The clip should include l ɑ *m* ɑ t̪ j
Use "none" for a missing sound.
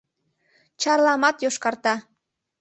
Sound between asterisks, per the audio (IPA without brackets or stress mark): m